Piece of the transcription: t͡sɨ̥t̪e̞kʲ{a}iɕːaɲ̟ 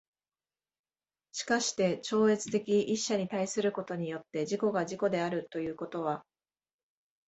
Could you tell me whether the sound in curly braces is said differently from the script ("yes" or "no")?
yes